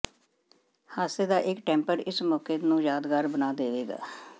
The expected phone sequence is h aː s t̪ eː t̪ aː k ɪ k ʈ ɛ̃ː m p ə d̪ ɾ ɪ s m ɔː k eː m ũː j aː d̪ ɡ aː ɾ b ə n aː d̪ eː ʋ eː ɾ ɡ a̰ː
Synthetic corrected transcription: h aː s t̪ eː d̪ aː ʔ ɪ k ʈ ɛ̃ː m p ə ɾ ɪ s m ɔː k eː n ũː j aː d̪ ɡ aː ɾ b ə n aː d̪ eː ʋ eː ɡ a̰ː